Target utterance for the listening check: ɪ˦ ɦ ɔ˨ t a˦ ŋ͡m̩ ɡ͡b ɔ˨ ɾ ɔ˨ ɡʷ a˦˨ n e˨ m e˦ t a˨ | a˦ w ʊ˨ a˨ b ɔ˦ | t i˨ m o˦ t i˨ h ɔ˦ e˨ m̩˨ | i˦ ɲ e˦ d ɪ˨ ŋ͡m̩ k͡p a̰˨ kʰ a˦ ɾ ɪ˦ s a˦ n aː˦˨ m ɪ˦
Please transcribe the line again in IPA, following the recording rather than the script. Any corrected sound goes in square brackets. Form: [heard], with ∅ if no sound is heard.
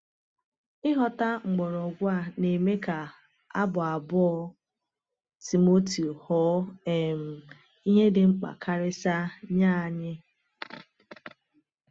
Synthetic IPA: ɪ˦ ɦ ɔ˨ t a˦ ŋ͡m̩ ɡ͡b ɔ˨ ɾ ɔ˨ ɡʷ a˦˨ n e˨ m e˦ [k] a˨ | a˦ [b] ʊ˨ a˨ b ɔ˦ | t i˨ m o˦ t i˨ h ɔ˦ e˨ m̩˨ | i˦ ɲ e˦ d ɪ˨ ŋ͡m̩ k͡p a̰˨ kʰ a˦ ɾ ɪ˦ s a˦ [ɲ] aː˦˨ [ɲ] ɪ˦